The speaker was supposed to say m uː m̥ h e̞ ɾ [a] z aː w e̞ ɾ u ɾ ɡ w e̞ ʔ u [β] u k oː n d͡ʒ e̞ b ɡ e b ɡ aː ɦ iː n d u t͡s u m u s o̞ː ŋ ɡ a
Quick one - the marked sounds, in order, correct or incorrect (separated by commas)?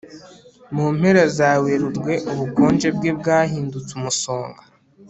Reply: correct, correct